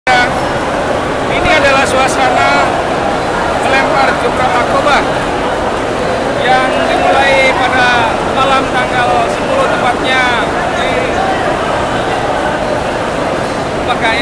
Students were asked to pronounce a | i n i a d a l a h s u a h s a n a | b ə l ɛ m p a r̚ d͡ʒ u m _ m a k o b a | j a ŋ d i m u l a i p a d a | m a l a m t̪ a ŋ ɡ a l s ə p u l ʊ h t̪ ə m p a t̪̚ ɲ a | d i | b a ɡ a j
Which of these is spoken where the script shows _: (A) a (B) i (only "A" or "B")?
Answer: A